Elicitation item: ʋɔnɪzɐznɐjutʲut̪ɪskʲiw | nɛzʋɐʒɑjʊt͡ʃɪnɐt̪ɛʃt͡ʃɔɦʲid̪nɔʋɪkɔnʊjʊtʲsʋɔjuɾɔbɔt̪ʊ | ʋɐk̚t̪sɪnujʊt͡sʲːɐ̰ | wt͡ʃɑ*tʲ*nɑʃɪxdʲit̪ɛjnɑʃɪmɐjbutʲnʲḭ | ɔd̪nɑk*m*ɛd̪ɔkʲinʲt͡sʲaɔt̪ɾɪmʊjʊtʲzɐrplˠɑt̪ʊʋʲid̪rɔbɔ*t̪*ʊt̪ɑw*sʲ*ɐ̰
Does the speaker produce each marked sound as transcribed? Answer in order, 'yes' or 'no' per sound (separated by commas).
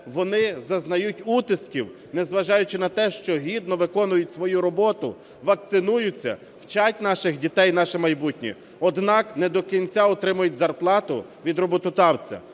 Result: yes, no, yes, no